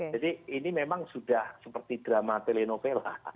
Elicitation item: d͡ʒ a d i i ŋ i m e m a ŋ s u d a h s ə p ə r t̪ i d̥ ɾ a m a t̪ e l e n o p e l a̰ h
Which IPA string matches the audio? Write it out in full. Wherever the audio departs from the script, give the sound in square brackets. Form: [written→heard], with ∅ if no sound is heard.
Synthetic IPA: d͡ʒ a d i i [ŋ→n] i m e m a ŋ s u d a h s ə p ə r t̪ i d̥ ɾ a m a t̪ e l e n o p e l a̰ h